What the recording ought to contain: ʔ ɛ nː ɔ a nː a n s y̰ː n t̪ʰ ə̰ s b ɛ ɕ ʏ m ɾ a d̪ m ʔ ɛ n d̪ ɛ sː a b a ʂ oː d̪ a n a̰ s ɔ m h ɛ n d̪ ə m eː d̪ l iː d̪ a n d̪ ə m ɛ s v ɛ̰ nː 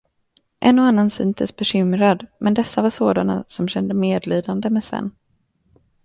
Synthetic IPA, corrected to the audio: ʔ ɛ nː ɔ a nː a n s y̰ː n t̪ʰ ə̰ s b ɛ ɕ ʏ m ɾ a d̪ m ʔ ɛ n d̪ ɛ sː a v a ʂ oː d̪ a n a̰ s ɔ m ɕ ɛ n d̪ ə m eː d̪ l iː d̪ a n d̪ ə m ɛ s v ɛ̰ nː